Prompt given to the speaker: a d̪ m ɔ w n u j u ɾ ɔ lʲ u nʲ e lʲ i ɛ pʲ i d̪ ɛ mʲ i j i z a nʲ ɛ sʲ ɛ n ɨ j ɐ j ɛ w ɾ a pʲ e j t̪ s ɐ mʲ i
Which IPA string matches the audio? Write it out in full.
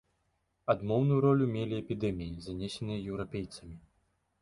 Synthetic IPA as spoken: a d̪ m ɔ w n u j u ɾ ɔ lʲ u mʲ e lʲ i ɛ pʲ i d̪ ɛ mʲ i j i z a nʲ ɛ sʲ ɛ n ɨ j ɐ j ɛ w ɾ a pʲ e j t̪ s ɐ mʲ i